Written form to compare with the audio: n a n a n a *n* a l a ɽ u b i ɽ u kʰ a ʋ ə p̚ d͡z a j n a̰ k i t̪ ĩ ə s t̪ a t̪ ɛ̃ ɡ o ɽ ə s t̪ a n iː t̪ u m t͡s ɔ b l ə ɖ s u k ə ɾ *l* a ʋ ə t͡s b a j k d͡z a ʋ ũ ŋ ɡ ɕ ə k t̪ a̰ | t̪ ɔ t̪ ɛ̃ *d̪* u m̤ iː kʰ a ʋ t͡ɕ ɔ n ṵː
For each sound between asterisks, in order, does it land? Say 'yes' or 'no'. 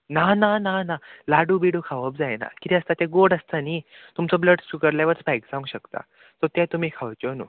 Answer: yes, yes, no

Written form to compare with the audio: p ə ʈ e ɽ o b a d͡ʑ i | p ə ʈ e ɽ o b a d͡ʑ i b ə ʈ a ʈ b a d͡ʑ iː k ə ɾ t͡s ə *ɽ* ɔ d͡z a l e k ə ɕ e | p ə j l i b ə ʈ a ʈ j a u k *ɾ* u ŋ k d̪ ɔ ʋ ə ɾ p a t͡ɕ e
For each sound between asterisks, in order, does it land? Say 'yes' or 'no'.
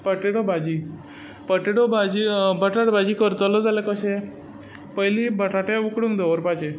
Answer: no, no

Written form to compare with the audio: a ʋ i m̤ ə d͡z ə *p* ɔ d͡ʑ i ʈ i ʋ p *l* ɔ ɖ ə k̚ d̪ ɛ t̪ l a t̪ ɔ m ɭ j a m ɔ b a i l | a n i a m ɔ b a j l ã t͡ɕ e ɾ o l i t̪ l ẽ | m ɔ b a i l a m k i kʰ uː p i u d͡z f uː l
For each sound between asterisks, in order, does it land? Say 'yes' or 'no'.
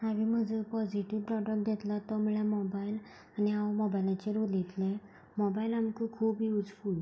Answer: yes, no

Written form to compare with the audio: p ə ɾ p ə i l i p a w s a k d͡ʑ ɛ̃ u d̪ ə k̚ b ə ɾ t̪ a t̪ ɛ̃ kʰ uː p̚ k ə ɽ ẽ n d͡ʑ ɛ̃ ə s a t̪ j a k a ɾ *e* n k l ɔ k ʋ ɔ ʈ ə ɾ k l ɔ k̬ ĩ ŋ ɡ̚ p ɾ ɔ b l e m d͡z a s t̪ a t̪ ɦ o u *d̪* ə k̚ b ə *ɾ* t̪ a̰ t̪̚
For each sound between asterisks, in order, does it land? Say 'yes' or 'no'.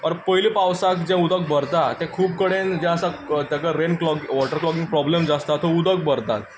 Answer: yes, yes, yes

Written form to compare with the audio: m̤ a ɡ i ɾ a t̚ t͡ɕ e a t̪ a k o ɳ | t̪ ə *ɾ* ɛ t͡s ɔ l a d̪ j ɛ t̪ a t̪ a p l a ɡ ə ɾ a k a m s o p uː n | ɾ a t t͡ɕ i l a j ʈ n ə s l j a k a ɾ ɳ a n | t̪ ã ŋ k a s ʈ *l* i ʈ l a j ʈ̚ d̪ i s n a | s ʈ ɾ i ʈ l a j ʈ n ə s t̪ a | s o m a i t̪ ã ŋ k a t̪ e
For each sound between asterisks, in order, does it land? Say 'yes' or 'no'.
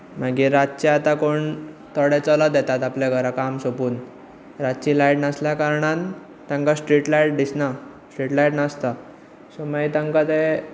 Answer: no, no

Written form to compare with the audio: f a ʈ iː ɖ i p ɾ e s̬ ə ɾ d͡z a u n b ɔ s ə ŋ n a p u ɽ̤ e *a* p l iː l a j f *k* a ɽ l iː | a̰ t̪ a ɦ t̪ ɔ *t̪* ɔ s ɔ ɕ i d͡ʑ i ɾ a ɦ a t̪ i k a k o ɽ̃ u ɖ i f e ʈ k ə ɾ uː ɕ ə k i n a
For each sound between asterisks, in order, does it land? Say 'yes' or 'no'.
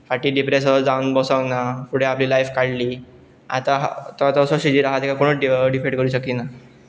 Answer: yes, yes, yes

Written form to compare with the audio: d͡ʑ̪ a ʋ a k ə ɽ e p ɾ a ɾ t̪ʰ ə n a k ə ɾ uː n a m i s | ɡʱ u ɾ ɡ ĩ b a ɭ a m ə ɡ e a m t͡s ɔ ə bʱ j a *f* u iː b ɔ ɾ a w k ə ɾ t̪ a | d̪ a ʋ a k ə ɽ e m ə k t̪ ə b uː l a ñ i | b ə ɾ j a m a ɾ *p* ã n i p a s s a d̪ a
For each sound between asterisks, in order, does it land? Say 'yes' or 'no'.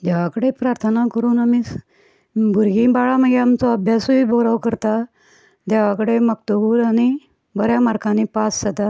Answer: no, no

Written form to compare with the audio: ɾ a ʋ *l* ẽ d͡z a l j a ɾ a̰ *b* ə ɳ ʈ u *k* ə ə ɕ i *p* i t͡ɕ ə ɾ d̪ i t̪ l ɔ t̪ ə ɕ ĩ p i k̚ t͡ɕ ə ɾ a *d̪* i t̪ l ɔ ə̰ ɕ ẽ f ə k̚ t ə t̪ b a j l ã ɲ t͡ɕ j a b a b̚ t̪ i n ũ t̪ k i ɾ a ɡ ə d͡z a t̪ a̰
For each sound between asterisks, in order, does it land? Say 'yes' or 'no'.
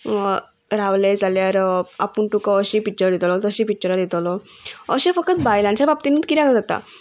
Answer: yes, no, yes, yes, yes

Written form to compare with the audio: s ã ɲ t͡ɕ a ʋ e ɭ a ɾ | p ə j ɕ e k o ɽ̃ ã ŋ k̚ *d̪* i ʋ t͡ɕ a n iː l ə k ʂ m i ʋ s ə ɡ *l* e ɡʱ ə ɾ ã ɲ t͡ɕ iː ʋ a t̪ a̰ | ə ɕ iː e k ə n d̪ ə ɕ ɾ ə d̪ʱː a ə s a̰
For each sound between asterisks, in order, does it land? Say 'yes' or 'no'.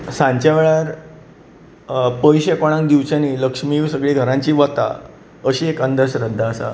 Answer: yes, no

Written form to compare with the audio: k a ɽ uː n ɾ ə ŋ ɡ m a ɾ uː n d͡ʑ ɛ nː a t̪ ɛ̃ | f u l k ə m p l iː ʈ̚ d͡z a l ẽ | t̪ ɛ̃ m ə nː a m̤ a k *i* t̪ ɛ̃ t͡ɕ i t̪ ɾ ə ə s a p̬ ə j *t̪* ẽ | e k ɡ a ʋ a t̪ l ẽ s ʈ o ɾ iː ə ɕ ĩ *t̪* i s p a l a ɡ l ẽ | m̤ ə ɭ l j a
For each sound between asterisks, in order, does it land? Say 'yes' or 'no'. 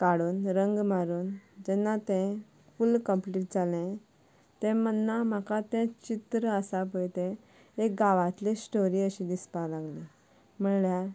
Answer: no, yes, no

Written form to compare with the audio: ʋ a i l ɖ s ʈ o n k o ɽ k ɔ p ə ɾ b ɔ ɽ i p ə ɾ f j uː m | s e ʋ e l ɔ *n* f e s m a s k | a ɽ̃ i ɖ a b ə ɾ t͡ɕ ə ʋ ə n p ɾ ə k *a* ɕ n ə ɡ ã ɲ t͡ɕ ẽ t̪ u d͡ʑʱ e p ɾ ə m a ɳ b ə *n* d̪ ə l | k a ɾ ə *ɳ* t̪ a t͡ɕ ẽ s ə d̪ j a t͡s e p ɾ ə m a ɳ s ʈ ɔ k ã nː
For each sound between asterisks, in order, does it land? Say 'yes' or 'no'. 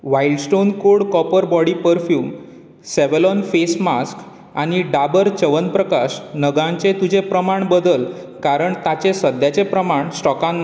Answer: yes, yes, no, yes

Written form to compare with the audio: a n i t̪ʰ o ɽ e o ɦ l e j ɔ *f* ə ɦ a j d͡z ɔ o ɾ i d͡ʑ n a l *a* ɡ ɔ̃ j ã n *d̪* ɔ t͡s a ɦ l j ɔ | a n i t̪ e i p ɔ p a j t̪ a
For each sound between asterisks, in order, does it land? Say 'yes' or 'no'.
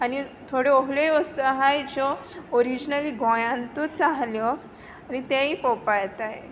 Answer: no, no, no

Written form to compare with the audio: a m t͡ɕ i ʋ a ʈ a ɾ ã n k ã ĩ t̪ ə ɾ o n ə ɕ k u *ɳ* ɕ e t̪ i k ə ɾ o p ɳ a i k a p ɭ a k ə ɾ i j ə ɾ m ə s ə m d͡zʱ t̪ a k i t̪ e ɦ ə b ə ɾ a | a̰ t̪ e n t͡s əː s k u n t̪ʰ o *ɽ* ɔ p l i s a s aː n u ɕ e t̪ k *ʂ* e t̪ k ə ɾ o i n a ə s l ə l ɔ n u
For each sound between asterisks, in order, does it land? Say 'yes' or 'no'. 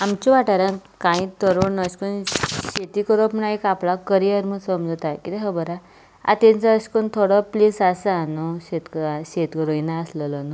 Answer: no, yes, no

